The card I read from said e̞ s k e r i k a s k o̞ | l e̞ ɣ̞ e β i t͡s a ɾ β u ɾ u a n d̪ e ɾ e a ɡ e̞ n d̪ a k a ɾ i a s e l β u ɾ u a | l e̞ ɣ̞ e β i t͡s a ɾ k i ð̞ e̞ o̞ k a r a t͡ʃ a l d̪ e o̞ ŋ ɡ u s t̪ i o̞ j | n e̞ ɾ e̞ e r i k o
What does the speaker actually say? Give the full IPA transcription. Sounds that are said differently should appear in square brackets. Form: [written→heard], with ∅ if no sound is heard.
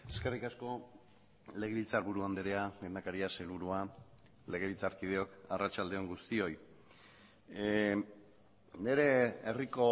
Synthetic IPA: e̞ s k e r i k a s k o̞ | l e̞ ɣ̞ e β i t͡s a ɾ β u ɾ u a n d̪ e ɾ e a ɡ e̞ n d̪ a k a ɾ i a s e l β u ɾ u a | l e̞ ɣ̞ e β i t͡s a ɾ k i ð̞ e̞ o̞ k a r a t͡ʃ a l d̪ e o̞ ŋ ɡ u s t̪ i o̞ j | n e̞ ɾ e̞ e r i k o

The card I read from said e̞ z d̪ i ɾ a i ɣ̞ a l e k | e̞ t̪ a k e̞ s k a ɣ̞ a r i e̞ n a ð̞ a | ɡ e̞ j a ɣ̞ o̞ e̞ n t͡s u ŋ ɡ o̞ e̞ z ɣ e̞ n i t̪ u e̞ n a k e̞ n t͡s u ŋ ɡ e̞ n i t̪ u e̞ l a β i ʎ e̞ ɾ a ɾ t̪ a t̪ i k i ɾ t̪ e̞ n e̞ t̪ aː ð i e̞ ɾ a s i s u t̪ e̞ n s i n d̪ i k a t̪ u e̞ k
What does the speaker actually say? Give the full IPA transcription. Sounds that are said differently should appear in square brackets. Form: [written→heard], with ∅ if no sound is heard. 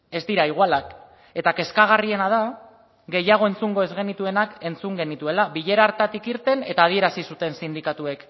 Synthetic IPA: e̞ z d̪ i ɾ a i ɣ̞ a l [e→a] k | e̞ t̪ a k e̞ s k a ɣ̞ a r i e̞ n a ð̞ a | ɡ e̞ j a ɣ̞ o̞ e̞ n t͡s u ŋ ɡ o̞ e̞ z ɣ e̞ n i t̪ u e̞ n a k e̞ n t͡s u ŋ ɡ e̞ n i t̪ u e̞ l a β i ʎ e̞ ɾ a ɾ t̪ a t̪ i k i ɾ t̪ e̞ n e̞ t̪ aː ð i e̞ ɾ a s i s u t̪ e̞ n s i n d̪ i k a t̪ u e̞ k

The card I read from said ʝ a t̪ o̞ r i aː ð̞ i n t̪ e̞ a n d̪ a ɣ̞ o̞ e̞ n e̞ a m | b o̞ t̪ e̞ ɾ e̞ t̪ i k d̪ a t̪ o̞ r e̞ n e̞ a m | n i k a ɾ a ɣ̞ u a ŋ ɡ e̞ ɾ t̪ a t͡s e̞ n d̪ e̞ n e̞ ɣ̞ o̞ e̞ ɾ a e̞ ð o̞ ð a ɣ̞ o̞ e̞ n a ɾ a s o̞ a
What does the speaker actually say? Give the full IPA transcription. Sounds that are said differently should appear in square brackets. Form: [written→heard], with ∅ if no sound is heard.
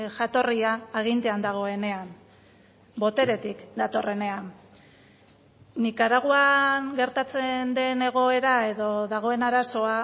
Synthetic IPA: ʝ a t̪ o̞ r i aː [ð̞→ɣ̞] i n t̪ e̞ a n d̪ a ɣ̞ o̞ e̞ n e̞ a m | b o̞ t̪ e̞ ɾ e̞ t̪ i k d̪ a t̪ o̞ r e̞ n e̞ a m | n i k a ɾ a ɣ̞ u a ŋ ɡ e̞ ɾ t̪ a t͡s e̞ n d̪ e̞ n e̞ ɣ̞ o̞ e̞ ɾ a e̞ ð o̞ ð a ɣ̞ o̞ e̞ n a ɾ a s o̞ a

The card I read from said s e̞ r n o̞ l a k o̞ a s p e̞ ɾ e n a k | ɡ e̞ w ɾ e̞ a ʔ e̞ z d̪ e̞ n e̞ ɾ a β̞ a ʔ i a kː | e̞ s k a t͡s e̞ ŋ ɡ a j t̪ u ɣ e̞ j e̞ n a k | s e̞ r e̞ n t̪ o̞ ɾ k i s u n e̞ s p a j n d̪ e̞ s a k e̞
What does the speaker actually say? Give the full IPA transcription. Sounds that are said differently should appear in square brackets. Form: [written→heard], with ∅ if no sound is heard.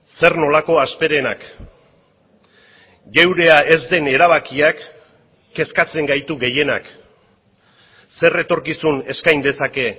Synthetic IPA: s e̞ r n o̞ l a k o̞ a s p e̞ ɾ e n a k | ɡ e̞ w ɾ e̞ a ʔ e̞ z d̪ e̞ n e̞ ɾ a β̞ a [ʔ→k] i a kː | e̞ s k a t͡s e̞ ŋ ɡ a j t̪ u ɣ e̞ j e̞ n a k | s e̞ r e̞ [n→∅] t̪ o̞ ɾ k i s u n e̞ s [p→k] a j n d̪ e̞ s a k e̞

